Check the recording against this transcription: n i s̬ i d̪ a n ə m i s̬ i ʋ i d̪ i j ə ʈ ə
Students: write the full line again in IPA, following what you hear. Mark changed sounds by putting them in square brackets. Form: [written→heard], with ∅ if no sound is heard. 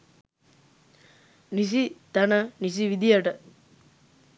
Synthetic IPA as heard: n i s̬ i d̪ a n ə [m→n] i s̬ i ʋ i d̪ i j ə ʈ ə